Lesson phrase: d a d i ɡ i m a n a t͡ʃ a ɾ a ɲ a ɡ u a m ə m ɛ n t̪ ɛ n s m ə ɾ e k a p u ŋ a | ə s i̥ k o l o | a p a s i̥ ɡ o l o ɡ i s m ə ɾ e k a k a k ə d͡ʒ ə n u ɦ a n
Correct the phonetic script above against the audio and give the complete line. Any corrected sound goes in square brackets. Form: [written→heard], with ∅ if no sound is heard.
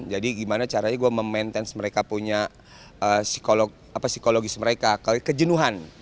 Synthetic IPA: [d→d͡ʒ] a d i ɡ i m a n a t͡ʃ a ɾ a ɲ a ɡ u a m ə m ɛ n t̪ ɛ n s m ə ɾ e k a p u [ŋ→ɲ] a | ə s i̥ k o l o | a p a s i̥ [ɡ→k] o l o ɡ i s m ə ɾ e k a k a k ə d͡ʒ ə n u ɦ a n